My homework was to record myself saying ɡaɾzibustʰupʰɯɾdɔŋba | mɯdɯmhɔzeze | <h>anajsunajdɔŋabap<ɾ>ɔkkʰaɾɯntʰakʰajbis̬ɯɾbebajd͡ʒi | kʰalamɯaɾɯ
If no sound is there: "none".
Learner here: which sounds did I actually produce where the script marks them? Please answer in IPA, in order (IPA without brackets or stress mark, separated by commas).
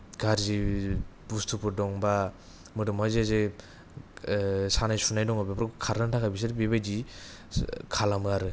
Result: s, ɾ